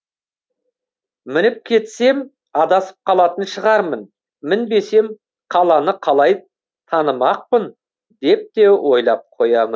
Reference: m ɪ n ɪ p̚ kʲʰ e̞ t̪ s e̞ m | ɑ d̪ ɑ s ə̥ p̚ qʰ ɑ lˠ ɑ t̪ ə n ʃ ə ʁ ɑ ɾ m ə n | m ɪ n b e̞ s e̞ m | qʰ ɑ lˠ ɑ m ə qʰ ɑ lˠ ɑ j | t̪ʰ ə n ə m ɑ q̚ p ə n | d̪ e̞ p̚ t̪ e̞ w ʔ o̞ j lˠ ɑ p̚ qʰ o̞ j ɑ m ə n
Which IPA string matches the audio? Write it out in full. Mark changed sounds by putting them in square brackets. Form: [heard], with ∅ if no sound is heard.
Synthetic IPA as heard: m ɪ n ɪ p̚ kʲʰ e̞ t̪ s e̞ m | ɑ d̪ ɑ s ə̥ p̚ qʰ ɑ lˠ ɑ t̪ ə n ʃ ə ʁ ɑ ɾ m ə n | m ɪ n b e̞ s e̞ m | qʰ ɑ lˠ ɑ [n] ə qʰ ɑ lˠ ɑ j | t̪ʰ [ɑ] n ə m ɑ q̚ p ə n | d̪ e̞ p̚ t̪ e̞ w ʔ o̞ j lˠ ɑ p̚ qʰ o̞ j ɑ m ə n